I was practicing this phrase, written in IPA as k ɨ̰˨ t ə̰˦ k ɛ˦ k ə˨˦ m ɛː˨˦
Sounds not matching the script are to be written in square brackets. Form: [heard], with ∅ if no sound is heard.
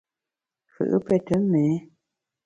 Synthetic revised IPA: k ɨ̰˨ [ʔ] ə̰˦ [p] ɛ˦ [t] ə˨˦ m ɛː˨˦